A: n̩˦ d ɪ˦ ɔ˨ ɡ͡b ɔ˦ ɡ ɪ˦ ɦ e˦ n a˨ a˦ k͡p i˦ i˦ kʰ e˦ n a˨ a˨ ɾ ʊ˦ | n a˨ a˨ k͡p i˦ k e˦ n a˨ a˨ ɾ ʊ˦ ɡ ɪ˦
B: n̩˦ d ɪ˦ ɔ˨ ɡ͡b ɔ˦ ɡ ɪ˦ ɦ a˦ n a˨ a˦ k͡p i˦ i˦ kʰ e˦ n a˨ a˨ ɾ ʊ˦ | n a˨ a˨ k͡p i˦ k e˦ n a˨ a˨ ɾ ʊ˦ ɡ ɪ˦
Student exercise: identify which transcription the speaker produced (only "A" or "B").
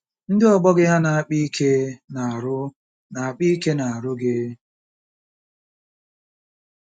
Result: B